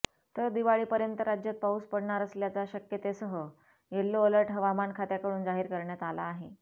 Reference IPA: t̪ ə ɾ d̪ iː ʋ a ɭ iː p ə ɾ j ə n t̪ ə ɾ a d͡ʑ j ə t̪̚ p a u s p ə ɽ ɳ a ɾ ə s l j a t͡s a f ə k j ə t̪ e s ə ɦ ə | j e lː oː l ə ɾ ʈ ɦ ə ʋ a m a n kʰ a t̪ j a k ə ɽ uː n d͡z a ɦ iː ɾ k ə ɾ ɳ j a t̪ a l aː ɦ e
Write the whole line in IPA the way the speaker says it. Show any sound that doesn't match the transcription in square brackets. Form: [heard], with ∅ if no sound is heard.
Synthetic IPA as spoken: t̪ ə ɾ d̪ [i] ʋ a ɭ iː p ə ɾ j ə n t̪ ə ɾ a d͡ʑ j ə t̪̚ p a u s p ə ɽ ɳ a ɾ ə s l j a t͡s a [ɕ] ə k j ə t̪ e s ə ɦ ə | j e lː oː l ə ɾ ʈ ɦ ə ʋ a m a n kʰ a t̪ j a k ə ɽ uː n d͡z a ɦ iː ɾ k ə ɾ ɳ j a t̪ a l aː ɦ e